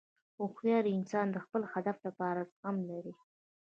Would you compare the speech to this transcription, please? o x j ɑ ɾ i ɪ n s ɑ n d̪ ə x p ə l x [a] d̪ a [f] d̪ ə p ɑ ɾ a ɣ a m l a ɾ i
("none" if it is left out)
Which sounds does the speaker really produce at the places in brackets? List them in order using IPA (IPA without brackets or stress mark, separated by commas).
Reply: a, f